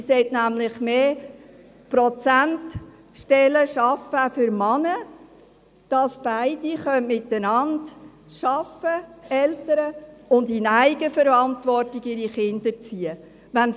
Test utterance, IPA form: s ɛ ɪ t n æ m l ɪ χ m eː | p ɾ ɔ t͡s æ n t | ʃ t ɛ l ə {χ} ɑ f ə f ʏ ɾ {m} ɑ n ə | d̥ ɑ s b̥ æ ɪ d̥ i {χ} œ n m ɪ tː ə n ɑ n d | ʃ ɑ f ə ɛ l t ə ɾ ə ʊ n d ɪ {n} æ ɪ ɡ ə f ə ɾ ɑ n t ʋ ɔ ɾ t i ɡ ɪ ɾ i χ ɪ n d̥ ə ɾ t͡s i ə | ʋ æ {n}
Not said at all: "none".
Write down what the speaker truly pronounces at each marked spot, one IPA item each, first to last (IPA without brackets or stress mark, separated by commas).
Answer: ʃ, m, χ, n, n